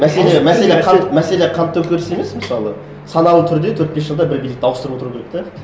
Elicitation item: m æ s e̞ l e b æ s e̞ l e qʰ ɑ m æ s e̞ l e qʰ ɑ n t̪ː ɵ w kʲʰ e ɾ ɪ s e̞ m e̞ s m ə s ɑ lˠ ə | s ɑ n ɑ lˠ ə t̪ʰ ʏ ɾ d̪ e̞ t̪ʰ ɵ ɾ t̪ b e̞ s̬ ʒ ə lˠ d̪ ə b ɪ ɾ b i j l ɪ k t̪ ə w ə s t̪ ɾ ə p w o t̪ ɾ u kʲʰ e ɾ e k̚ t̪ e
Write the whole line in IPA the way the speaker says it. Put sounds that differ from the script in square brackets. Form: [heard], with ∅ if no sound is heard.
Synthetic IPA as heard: m æ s e̞ l e [m] æ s e̞ l e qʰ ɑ m æ s e̞ l e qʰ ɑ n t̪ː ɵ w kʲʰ e ɾ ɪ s e̞ m e̞ s m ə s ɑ lˠ ə | s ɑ n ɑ lˠ ə t̪ʰ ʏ ɾ d̪ e̞ t̪ʰ ɵ ɾ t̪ b e̞ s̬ ʒ ə lˠ d̪ [ɑ] b ɪ ɾ b i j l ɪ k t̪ [ɑ] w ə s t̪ ɾ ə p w o t̪ ɾ u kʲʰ e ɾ e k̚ t̪ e